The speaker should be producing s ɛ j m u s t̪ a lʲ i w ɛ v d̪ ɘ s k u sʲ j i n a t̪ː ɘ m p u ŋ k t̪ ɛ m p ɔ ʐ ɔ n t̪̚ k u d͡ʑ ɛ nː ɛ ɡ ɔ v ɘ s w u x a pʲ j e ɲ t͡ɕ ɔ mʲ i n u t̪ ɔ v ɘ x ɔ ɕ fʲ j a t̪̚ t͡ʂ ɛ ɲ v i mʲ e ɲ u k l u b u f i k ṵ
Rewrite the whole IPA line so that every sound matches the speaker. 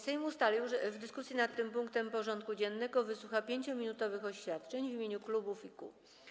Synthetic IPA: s ɛ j m u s t̪ a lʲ i w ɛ v d̪ ɘ s k u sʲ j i n a t̪ː ɘ m p u ŋ k t̪ ɛ m p ɔ ʐ ɔ n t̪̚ k u d͡ʑ ɛ nː ɛ ɡ ɔ v ɘ s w u x a pʲ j e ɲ t͡ɕ ɔ mʲ i n u t̪ ɔ v ɘ x ɔ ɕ fʲ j a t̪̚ t͡ʂ ɛ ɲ v i mʲ e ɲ u k l u b u f i k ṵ

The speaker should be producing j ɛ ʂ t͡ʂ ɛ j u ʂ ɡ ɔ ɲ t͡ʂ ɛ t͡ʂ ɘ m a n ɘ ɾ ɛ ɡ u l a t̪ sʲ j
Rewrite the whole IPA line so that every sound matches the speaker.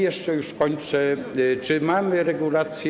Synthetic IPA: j ɛ ʂ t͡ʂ ɛ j u ʂ k ɔ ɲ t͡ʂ ɛ t͡ʂ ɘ m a m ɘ ɾ ɛ ɡ u l a t̪ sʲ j

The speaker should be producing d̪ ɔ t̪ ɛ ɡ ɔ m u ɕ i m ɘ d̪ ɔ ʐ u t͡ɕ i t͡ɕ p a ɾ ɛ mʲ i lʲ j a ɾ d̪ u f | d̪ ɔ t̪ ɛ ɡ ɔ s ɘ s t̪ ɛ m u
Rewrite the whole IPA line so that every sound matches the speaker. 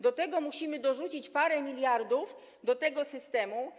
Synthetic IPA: d̪ ɔ t̪ ɛ ɡ ɔ m u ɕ i m ɘ d̪ ɔ ʐ u t͡ɕ i t͡ɕ p a ɾ ɛ mʲ i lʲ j a ɾ d̪ u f | d̪ ɔ t̪ ɛ ɡ ɔ s ɘ s t̪ ɛ m u

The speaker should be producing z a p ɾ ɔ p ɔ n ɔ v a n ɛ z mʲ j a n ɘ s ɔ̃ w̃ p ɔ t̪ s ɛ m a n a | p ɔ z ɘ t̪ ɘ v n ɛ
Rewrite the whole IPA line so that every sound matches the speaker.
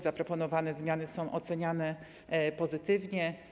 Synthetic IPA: z a p ɾ ɔ p ɔ n ɔ v a n ɛ z mʲ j a n ɘ s ɔ̃ w̃ ʔ ɔ t̪ s ɛ ɲ a n ɛ | p ɔ z ɘ t̪ ɘ v ɲ ɛ

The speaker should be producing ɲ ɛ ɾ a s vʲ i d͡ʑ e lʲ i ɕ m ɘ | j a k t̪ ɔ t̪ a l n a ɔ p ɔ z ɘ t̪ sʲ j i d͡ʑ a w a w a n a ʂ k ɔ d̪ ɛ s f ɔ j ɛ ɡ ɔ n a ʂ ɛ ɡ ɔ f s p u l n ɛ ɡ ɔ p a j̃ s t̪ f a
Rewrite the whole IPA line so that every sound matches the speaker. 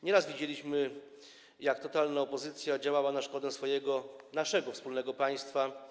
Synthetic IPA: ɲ ɛ ɾ a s vʲ i d͡ʑ e lʲ i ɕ m ɘ | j a k t̪ ɔ t̪ a l n a ɔ p ɔ z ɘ t̪ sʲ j a d͡ʑ a w a w a n a ʂ k ɔ d̪ ɛ s f ɔ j ɛ ɡ ɔ n a ʂ ɛ ɡ ɔ f s p u l n ɛ ɡ ɔ p a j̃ s t̪ f a

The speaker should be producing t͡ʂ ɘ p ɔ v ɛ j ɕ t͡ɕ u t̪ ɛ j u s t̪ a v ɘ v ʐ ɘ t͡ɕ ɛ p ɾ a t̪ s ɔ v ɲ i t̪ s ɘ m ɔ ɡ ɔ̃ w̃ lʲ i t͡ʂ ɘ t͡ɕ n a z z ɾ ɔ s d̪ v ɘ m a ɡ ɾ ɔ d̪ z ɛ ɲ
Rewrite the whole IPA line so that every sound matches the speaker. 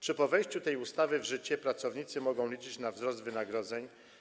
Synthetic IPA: t͡ʂ ɘ p ɔ v ɛ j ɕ t͡ɕ u t̪ ɛ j u s t̪ a v ɘ v ʐ ɘ t͡ɕ ɛ p ɾ a t̪ s ɔ v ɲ i t̪ s ɘ m ɔ ɡ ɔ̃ w̃ lʲ i t͡ʂ ɘ t͡ɕ n a v z ɾ ɔ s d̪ v ɘ n a ɡ ɾ ɔ d̪ z ɛ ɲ

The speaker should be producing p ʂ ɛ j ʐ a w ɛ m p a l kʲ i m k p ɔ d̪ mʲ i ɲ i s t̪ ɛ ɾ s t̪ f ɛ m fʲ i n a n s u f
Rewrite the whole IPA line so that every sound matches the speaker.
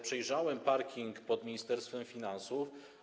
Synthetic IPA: p ʂ ɛ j ʐ a w ɛ m p a ɾ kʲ i ŋ k p ɔ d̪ mʲ i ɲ i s t̪ ɛ ɾ s t̪ f ɛ m fʲ i n a n s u f

